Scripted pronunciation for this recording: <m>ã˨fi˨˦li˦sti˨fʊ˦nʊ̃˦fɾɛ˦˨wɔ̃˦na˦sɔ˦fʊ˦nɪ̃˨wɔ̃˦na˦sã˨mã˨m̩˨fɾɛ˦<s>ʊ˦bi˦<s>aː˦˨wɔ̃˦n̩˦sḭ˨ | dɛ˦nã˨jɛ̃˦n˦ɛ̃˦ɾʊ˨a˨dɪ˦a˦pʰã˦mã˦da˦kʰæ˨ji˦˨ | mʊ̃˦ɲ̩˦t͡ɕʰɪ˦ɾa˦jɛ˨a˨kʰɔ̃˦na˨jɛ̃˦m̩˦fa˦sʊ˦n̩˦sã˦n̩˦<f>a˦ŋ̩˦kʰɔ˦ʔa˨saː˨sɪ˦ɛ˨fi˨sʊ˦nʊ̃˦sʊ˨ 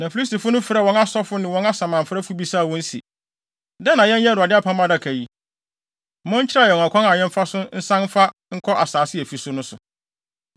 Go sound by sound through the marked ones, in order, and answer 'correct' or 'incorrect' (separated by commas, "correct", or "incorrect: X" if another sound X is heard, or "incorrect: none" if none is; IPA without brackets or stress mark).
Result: incorrect: n, incorrect: f, correct, correct